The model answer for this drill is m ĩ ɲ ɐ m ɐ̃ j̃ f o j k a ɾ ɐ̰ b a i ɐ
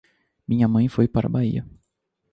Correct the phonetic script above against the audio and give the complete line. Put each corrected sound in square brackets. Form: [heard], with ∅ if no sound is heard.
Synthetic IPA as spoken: m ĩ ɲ ɐ m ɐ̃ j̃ f o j [p] a ɾ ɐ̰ b a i ɐ